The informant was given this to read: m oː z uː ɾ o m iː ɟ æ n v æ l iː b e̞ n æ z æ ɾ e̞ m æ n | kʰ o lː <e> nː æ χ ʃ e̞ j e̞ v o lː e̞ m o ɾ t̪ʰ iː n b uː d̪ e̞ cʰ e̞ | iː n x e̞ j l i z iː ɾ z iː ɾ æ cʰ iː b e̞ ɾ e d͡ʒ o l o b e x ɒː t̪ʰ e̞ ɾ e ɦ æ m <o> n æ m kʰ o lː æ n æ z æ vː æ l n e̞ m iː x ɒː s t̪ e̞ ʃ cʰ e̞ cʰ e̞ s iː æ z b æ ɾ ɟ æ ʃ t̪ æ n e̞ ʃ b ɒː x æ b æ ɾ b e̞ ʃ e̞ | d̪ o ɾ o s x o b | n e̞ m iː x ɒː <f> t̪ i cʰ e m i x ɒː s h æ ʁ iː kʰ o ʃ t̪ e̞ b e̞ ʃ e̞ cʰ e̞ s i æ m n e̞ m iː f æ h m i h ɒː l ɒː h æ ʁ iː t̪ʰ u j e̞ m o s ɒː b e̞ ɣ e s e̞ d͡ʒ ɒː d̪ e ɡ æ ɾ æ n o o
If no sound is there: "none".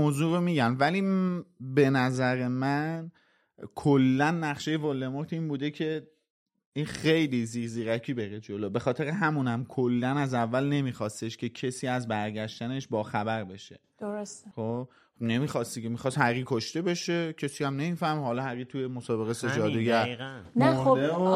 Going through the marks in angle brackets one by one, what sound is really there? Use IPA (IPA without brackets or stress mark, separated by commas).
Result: æ, u, s